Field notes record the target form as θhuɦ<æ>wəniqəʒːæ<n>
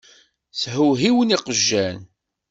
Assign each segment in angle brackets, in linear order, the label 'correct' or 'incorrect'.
incorrect: i, correct

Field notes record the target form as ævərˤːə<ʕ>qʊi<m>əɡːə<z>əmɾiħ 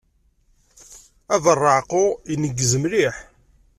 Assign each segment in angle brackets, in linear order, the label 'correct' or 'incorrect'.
correct, incorrect: n, correct

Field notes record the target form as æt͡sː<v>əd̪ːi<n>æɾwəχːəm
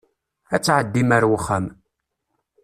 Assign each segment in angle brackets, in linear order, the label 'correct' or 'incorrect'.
incorrect: ʕ, incorrect: m

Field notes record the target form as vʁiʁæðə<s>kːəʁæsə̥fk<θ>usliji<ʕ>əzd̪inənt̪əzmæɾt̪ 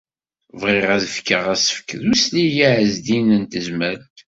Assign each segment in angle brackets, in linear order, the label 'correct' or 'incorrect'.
incorrect: f, incorrect: ð, correct

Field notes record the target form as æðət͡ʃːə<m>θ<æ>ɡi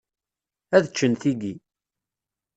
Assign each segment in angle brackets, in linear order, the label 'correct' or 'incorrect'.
incorrect: n, incorrect: i

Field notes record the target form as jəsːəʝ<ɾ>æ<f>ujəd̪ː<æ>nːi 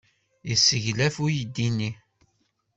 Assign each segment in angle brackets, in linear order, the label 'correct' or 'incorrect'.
incorrect: l, correct, incorrect: i

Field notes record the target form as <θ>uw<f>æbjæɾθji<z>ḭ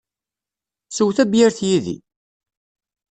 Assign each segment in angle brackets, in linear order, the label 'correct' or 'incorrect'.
incorrect: s, incorrect: θ, incorrect: ð

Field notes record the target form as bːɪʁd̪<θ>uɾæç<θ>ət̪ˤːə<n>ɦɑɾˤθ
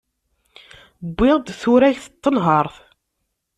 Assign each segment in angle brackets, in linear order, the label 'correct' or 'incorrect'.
correct, correct, correct

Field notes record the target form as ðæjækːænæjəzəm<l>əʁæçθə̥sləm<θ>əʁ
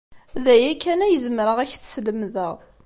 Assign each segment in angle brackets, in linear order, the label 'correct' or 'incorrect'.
incorrect: ɾ, incorrect: ð

